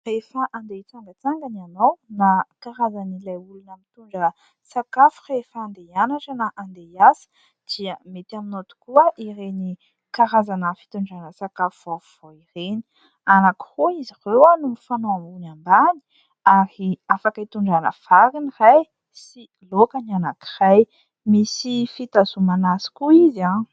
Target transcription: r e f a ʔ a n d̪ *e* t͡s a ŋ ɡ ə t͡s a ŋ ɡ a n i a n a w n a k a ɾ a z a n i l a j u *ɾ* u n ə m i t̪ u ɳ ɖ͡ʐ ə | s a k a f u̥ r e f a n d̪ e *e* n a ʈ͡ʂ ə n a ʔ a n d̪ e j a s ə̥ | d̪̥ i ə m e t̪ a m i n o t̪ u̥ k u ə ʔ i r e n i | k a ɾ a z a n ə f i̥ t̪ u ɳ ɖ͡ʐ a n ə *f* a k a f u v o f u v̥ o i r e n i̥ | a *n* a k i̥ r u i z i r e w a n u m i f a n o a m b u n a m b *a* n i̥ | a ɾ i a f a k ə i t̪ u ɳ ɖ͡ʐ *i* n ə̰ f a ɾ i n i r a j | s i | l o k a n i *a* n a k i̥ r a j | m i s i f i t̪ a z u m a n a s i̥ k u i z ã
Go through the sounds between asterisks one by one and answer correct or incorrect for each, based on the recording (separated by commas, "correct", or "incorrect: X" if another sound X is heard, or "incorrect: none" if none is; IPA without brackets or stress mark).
correct, incorrect: l, incorrect: a, incorrect: s, correct, correct, incorrect: a, correct